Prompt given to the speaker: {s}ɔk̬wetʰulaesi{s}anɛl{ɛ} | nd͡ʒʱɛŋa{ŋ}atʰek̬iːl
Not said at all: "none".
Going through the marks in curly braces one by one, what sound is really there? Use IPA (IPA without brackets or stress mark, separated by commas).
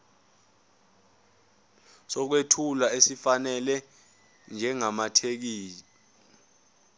s, f, ɛ, m